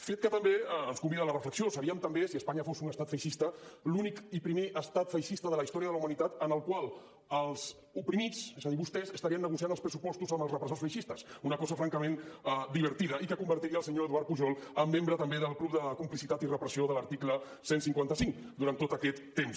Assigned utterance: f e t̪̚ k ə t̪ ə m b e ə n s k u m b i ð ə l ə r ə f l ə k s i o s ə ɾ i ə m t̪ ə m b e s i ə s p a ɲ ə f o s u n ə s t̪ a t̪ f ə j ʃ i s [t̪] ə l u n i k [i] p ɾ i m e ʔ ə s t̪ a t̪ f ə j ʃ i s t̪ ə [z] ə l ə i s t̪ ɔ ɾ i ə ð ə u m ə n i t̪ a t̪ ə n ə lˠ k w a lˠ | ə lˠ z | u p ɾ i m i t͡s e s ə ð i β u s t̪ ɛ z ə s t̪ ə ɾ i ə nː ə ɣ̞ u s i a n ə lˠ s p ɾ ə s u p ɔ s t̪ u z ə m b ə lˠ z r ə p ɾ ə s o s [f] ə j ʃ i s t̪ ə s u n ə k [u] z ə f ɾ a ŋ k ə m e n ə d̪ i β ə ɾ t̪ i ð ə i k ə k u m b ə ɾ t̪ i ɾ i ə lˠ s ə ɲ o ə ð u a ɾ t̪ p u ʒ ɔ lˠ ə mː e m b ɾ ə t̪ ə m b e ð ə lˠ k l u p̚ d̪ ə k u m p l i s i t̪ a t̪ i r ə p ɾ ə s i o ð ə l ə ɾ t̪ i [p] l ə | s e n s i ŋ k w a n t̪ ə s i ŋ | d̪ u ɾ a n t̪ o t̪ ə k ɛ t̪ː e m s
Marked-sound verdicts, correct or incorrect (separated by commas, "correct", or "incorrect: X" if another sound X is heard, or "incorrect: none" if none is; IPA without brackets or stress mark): correct, correct, incorrect: ð, correct, incorrect: ɔ, incorrect: k